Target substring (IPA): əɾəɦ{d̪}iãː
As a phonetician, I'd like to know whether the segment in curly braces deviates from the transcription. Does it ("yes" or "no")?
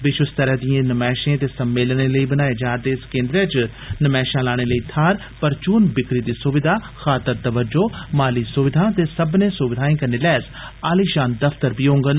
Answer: no